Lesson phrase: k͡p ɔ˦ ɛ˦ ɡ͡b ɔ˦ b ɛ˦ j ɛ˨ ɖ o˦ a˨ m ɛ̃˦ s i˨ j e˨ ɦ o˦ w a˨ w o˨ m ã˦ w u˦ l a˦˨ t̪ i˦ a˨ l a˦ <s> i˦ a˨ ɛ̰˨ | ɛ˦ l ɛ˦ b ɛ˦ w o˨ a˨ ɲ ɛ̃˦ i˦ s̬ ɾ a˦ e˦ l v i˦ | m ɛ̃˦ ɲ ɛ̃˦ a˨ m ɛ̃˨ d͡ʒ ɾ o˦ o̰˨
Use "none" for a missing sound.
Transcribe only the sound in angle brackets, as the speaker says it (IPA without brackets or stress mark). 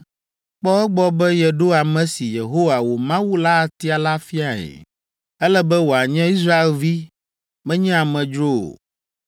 f